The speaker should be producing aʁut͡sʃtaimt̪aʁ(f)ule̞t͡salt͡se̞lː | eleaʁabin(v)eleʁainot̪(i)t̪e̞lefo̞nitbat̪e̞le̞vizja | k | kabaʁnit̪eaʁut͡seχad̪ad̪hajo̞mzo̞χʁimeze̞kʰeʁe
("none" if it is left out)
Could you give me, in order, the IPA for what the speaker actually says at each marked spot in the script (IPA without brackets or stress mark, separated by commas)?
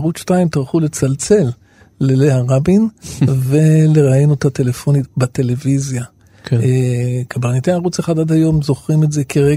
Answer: χ, v, a